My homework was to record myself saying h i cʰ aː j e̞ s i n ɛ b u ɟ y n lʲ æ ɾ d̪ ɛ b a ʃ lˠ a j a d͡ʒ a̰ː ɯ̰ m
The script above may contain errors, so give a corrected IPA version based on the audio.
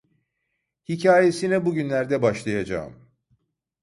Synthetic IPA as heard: h i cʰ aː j e̞ s i n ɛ b u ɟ y n lʲ æ ɾ d̪ ɛ b a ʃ lˠ a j a d͡ʒ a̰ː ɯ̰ m